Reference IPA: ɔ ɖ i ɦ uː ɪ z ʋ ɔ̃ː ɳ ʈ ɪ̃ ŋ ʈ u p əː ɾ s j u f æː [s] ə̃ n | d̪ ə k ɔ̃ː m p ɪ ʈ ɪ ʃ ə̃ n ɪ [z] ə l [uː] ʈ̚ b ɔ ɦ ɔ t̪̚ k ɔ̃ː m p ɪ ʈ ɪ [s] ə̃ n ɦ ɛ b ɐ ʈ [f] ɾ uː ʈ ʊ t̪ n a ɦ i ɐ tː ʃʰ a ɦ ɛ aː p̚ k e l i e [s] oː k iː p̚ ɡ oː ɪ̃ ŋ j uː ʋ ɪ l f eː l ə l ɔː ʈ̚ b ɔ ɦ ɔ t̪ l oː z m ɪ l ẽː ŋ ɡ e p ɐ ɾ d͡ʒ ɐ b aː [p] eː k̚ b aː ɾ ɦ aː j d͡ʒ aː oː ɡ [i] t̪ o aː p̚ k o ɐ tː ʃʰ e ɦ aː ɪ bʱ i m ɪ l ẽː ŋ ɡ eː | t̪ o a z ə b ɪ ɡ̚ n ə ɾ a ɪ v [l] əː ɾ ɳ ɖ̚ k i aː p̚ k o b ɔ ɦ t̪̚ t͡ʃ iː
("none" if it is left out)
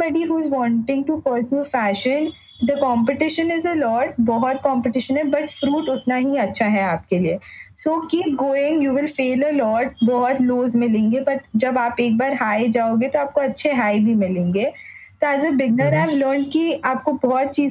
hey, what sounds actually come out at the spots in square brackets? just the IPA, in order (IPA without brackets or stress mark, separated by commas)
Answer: ʃ, z, ɔː, ʃ, f, s, p, e, l